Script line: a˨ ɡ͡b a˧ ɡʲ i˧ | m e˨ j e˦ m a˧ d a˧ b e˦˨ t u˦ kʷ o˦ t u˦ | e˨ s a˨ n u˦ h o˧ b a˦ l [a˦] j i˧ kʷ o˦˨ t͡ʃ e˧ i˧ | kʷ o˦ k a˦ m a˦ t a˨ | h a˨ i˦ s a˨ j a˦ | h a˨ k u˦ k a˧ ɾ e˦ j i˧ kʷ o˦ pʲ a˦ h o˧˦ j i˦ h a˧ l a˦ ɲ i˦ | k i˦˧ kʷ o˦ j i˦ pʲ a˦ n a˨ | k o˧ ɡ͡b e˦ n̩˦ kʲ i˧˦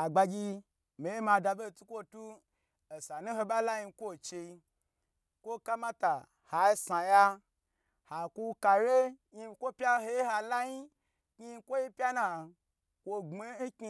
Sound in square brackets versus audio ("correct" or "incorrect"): correct